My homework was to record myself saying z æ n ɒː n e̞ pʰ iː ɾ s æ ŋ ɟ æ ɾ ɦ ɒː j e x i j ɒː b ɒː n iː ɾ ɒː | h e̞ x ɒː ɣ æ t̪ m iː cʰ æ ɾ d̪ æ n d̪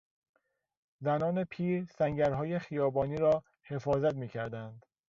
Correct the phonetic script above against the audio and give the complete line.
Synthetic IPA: z æ n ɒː n e̞ pʰ iː ɾ s æ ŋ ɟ æ ɾ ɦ ɒː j e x i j ɒː b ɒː n iː ɾ ɒː | h e̞ f ɒː z æ t̪ m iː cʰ æ ɾ d̪ æ n d̪